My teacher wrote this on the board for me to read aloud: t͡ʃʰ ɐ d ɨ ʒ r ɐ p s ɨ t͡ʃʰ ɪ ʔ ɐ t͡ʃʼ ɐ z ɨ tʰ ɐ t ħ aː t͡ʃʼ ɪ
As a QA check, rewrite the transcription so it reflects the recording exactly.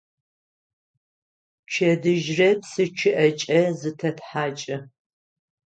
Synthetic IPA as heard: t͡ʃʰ ɐ d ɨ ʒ r ɐ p s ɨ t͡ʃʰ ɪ ʔ ɐ t͡ʃʼ ɐ z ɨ tʰ ɐ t ħ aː t͡ʃʼ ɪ